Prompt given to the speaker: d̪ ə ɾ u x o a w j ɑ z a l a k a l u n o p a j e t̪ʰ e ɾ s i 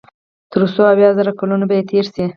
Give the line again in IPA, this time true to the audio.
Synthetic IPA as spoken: t̪ ə ɾ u s o a w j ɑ z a ɾ a k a l u n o b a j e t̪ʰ e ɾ s i